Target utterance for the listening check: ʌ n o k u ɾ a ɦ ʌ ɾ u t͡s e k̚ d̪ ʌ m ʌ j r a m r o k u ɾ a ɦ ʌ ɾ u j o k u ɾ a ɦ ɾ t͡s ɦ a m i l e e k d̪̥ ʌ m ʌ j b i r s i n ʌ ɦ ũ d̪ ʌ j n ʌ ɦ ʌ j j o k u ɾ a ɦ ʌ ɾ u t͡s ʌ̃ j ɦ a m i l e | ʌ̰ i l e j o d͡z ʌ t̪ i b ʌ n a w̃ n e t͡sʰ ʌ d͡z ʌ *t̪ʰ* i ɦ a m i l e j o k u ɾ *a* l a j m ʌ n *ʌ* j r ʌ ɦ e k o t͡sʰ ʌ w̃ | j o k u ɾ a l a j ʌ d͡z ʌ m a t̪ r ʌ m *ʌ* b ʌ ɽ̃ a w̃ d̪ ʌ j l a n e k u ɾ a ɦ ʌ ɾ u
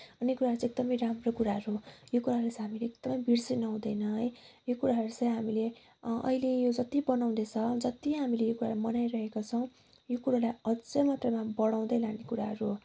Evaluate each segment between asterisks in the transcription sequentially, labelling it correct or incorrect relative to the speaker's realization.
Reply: incorrect: t̪, correct, incorrect: a, incorrect: a

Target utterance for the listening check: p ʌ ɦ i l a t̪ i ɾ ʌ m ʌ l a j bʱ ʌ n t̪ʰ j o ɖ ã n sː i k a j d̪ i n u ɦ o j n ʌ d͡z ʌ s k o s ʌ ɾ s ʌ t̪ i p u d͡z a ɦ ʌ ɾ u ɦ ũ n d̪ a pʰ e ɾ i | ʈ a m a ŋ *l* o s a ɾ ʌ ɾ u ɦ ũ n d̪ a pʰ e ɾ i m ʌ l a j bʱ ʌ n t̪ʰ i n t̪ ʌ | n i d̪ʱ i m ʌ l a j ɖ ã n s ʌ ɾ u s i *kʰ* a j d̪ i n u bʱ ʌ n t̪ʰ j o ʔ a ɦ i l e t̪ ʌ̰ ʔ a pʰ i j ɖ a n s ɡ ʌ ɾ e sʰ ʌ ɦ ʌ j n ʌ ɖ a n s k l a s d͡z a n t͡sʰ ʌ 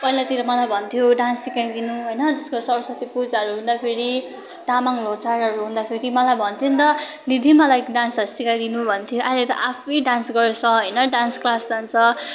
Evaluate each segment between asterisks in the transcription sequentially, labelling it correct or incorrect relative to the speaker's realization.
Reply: correct, incorrect: k

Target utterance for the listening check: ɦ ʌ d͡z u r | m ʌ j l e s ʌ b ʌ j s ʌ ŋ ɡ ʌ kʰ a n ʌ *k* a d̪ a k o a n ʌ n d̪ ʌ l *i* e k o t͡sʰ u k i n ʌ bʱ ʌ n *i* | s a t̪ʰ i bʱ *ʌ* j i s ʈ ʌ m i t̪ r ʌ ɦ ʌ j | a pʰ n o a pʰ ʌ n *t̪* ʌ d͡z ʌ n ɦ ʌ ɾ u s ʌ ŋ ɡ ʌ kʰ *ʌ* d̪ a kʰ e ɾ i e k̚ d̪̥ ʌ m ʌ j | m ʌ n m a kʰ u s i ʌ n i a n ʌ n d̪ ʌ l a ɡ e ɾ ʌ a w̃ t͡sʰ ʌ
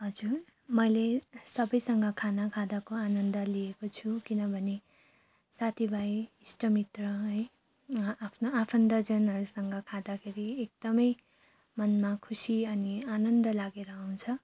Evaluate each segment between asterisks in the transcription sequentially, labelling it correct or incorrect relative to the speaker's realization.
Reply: incorrect: kʰ, correct, incorrect: e, incorrect: a, incorrect: d̪, incorrect: a

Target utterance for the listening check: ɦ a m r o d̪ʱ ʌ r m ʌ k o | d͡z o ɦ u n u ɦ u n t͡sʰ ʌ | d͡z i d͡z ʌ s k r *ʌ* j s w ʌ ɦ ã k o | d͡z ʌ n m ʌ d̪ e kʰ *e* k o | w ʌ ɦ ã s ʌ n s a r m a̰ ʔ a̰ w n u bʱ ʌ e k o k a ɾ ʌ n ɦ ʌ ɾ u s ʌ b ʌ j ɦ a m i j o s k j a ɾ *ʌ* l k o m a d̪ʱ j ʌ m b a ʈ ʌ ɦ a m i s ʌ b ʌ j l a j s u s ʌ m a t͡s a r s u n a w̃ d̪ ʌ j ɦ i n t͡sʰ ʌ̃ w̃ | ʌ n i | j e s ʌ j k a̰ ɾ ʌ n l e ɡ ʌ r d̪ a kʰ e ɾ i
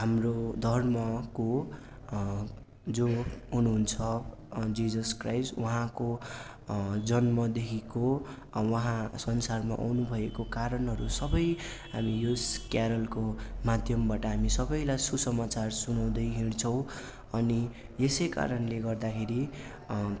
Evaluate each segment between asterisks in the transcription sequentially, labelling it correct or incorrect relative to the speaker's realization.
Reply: incorrect: a, incorrect: i, correct

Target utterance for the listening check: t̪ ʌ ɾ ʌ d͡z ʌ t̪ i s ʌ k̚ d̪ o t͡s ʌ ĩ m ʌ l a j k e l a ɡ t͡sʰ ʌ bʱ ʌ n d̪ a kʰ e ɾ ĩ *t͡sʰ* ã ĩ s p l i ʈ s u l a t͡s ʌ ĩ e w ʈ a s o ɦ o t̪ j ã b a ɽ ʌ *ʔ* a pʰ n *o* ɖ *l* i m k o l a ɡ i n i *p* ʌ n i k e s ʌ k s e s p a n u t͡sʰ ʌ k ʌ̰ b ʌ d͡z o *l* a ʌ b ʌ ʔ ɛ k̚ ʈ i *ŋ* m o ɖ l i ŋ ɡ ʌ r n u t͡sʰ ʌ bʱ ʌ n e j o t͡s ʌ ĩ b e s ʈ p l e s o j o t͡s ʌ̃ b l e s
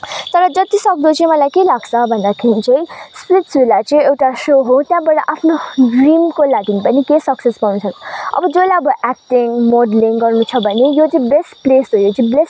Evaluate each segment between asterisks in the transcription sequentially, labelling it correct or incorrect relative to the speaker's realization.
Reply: incorrect: t͡s, correct, correct, incorrect: r, correct, correct, correct

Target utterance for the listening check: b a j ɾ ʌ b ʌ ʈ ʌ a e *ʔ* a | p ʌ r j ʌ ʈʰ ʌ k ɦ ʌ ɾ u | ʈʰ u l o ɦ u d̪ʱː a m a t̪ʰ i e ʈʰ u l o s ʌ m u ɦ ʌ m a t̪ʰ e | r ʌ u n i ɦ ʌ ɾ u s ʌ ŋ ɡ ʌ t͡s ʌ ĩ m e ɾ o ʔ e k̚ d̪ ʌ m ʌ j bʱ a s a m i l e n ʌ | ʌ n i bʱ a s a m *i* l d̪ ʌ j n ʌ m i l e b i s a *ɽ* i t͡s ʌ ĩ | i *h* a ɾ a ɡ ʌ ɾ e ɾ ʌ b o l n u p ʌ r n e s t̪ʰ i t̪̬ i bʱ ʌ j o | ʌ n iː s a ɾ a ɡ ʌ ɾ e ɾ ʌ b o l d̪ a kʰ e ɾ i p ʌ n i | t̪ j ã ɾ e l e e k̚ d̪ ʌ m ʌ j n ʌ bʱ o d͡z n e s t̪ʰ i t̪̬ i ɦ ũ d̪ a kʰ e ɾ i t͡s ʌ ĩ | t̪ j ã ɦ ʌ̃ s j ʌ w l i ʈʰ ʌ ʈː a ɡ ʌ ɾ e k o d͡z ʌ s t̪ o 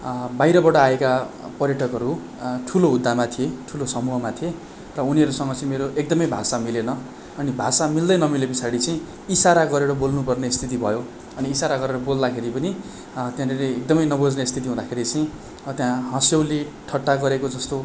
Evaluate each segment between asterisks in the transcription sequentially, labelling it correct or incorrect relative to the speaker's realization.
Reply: incorrect: k, correct, correct, incorrect: s

